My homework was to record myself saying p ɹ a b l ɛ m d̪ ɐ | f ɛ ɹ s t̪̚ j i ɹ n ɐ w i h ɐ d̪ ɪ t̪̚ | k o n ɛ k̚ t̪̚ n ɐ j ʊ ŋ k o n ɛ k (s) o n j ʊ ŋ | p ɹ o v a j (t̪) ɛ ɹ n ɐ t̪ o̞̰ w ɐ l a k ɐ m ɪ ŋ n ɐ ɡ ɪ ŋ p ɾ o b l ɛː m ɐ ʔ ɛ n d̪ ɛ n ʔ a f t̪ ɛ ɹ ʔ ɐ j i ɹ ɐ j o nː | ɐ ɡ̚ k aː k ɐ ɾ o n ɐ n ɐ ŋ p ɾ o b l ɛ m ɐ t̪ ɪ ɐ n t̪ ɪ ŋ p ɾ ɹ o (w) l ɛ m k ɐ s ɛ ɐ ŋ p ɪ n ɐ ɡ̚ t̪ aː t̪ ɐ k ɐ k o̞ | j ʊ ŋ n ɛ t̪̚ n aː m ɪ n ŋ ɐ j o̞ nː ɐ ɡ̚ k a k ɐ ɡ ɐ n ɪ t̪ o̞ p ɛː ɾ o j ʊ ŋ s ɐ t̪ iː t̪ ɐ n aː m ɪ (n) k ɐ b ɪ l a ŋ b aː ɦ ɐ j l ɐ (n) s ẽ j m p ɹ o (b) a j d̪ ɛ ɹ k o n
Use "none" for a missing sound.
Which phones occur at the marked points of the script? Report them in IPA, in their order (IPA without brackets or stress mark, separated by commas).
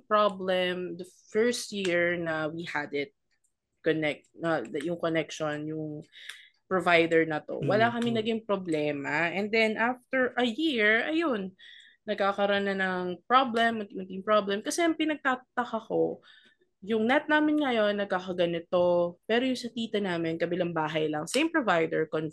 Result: ʃ, d̪, b, n, ŋ, v